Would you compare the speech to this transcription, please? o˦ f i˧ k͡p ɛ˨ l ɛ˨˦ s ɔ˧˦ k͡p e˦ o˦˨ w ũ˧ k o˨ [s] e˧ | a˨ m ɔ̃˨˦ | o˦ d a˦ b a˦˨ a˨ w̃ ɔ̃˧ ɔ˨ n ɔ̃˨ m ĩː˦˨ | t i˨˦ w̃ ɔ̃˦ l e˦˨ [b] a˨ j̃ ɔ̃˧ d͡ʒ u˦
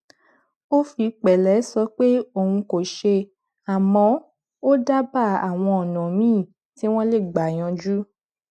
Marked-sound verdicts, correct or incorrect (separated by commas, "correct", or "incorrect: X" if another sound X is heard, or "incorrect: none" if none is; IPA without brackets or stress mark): incorrect: ʃ, incorrect: ɡ͡b